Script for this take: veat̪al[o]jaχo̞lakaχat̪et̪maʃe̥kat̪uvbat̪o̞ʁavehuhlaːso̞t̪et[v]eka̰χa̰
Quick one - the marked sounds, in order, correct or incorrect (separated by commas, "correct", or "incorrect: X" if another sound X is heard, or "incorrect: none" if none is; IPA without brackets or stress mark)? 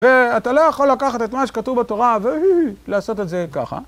correct, incorrect: z